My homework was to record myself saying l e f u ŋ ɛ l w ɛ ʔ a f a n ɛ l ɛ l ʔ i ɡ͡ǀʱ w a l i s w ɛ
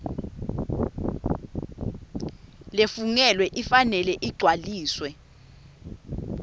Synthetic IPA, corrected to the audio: l e f u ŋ ɛ l w ɛ ʔ i f a n ɛ l ɛ ʔ i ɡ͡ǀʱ w a l iː s w ɛ